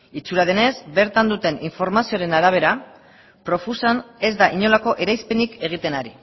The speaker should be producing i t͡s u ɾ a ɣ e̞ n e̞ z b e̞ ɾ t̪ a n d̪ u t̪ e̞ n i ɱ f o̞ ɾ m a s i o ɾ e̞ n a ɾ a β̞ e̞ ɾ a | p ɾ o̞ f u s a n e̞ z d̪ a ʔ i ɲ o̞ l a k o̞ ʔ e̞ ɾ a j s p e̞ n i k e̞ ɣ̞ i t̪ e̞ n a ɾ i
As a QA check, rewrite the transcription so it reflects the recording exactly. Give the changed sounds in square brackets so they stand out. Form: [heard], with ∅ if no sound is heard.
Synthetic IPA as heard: i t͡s u ɾ a [ð] e̞ n e̞ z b e̞ ɾ t̪ a n d̪ u t̪ e̞ n i ɱ f o̞ ɾ m a s i o ɾ e̞ n a ɾ a β̞ e̞ ɾ a | p ɾ o̞ f u s a n e̞ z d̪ a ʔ i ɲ o̞ l a k o̞ ʔ e̞ ɾ a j s p e̞ n i k e̞ ɣ̞ i t̪ e̞ n a ɾ i